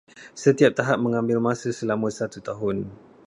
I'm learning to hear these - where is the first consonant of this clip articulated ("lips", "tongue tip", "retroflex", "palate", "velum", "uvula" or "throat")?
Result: tongue tip